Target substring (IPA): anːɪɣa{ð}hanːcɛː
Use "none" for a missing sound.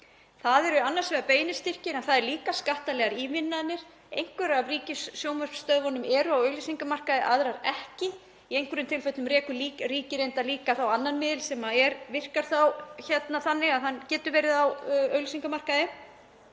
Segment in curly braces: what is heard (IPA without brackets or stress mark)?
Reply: ð